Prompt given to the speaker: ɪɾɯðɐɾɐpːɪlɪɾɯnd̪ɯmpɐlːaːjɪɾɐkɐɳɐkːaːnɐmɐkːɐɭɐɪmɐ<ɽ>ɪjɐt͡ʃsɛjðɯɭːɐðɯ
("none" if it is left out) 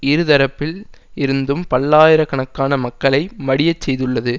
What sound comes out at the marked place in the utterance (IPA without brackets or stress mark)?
ɽ